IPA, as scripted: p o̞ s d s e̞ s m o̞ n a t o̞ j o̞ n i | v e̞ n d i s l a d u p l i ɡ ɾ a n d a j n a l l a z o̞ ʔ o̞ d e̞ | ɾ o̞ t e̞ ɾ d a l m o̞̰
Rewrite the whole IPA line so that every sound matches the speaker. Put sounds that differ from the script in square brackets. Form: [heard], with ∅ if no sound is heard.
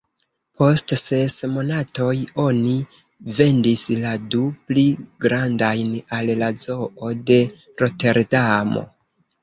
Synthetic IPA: p o̞ s [t] s e̞ s m o̞ n a t o̞ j o̞ n i | v e̞ n d i s l a d u p l i ɡ ɾ a n d a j n a l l a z o̞ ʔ o̞ d e̞ | ɾ o̞ t e̞ ɾ d a [∅] m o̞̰

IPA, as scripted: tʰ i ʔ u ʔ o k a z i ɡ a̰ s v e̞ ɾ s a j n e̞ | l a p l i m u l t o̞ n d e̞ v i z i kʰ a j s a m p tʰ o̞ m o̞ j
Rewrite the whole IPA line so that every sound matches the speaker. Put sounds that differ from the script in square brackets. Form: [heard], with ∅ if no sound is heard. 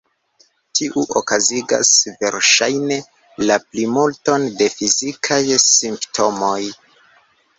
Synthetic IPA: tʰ i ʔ u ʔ o k a z i ɡ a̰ s v e̞ ɾ [ʃ] a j n e̞ | l a p l i m u l t o̞ n d e̞ [f] i z i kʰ a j s [i] m p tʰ o̞ m o̞ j

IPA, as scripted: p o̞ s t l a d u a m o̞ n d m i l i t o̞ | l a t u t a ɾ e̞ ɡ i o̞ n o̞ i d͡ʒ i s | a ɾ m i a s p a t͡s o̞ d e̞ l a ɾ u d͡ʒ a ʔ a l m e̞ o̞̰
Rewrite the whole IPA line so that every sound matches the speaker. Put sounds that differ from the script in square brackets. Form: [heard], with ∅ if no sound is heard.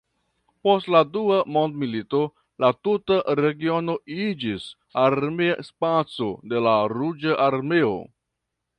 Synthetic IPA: p o̞ s t l a d u a m o̞ n d m i l i t o̞ | l a t u t a ɾ e̞ ɡ i o̞ n o̞ i d͡ʒ i s | a ɾ m [e] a s p a t͡s o̞ d e̞ l a ɾ u d͡ʒ a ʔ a [ɾ] m e̞ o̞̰

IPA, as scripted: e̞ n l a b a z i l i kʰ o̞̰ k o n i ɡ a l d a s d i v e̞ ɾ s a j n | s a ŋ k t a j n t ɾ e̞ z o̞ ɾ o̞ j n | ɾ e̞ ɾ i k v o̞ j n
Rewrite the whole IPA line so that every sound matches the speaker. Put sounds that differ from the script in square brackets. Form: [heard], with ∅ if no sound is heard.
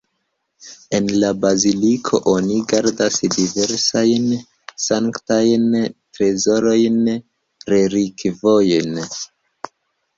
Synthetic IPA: e̞ n l a b a z i l i kʰ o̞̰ [ʔ] o n i ɡ a [ɾ] d a s d i v e̞ ɾ s a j n | s a ŋ k t a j n t ɾ e̞ z o̞ ɾ o̞ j n | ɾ e̞ ɾ i k v o̞ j n

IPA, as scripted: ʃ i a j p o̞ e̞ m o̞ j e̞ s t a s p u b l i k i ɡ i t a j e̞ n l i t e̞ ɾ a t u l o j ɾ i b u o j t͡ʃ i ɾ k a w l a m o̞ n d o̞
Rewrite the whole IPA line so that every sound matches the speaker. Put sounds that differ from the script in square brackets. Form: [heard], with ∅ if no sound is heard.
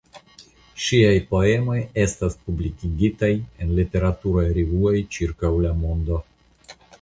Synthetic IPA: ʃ i a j p o̞ e̞ m o̞ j e̞ s t a s p u b l i k i ɡ i t a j e̞ n l i t e̞ ɾ a t u [ɾ] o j ɾ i [v] u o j t͡ʃ i ɾ k a w l a m o̞ n d o̞

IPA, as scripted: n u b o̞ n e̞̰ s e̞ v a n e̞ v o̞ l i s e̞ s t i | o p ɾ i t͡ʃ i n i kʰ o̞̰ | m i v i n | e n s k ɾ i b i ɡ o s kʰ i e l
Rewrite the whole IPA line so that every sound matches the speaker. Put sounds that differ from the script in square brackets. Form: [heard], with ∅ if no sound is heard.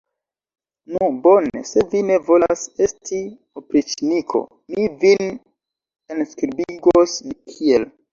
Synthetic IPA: n u b o̞ n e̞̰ s e̞ v [i] n e̞ v o̞ l [a] s e̞ s t i | o p ɾ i t͡ʃ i n i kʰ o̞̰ | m i v i n | e n s k ɾ i b i ɡ o s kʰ i e l

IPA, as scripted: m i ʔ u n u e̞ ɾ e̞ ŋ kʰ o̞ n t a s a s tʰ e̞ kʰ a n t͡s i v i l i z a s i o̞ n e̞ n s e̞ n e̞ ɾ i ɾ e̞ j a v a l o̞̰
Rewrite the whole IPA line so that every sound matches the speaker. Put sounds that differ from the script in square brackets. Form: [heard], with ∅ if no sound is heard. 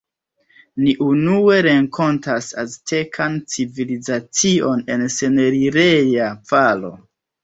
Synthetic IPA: [n] i ʔ u n u e̞ ɾ e̞ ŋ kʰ o̞ n t a s a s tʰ e̞ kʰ a n t͡s i v i l i z a [t͡s] i o̞ n e̞ n s e̞ n e̞ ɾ i ɾ e̞ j a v a l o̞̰

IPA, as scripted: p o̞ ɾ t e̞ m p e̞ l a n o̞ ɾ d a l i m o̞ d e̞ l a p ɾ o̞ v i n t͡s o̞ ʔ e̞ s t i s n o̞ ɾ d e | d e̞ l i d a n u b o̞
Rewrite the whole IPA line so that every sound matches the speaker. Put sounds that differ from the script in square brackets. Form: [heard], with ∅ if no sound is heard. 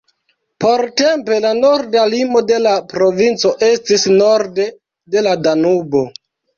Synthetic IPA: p o̞ ɾ t e̞ m p e̞ l a n o̞ ɾ d a l i m o̞ d e̞ l a p ɾ o̞ v i n t͡s o̞ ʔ e̞ s t i s n o̞ ɾ d e | d e̞ l [a] d a n u b o̞

